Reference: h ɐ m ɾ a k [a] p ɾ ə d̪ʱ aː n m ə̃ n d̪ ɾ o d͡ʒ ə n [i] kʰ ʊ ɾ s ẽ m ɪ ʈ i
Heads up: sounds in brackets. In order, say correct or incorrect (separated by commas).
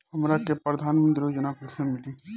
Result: incorrect, incorrect